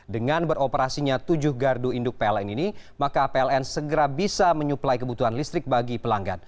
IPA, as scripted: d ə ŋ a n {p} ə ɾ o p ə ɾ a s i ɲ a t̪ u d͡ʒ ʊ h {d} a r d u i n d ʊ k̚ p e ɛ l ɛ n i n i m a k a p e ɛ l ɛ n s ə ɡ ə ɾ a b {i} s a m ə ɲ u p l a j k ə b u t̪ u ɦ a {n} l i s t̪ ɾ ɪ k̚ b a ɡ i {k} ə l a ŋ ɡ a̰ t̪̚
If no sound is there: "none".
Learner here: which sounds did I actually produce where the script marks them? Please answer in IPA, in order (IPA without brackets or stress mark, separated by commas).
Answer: b, ɡ, i, n, p